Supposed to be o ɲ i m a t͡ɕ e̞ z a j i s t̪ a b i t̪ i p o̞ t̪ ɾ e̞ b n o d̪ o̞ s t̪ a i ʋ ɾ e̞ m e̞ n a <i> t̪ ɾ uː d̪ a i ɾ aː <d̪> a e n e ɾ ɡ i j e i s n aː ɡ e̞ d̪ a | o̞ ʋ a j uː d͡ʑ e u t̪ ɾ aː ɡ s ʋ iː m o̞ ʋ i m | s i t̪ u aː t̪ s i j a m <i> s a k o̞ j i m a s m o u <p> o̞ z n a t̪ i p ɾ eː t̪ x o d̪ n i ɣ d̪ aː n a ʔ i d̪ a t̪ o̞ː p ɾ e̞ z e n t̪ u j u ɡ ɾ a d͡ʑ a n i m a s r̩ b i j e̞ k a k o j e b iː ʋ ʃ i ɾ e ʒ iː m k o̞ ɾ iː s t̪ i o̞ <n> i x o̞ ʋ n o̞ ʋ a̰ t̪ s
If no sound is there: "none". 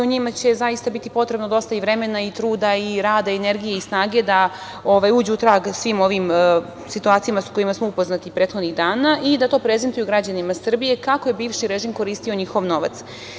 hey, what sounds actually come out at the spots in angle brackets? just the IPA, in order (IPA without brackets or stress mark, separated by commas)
i, d̪, a, p, ɲ